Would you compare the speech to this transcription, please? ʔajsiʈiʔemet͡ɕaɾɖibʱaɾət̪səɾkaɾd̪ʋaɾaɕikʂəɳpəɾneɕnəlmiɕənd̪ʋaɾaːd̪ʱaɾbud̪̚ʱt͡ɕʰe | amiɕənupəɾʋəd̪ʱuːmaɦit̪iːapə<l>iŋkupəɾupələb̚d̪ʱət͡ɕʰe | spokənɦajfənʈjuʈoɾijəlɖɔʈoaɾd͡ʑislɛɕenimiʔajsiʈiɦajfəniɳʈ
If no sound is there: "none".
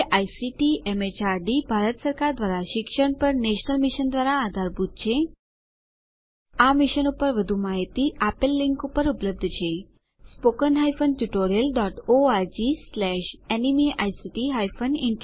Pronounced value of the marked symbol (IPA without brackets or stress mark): lː